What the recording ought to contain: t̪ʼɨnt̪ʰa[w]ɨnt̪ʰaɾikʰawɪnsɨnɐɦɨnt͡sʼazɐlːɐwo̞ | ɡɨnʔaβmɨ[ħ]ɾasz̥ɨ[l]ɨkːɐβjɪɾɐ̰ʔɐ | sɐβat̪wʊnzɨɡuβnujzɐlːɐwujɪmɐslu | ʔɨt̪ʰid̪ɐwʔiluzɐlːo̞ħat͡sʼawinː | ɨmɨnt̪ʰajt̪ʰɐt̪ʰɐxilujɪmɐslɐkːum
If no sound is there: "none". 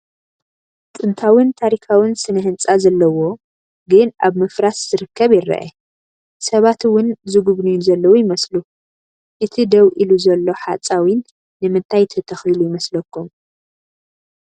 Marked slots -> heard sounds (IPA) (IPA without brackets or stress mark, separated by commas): w, f, ɾ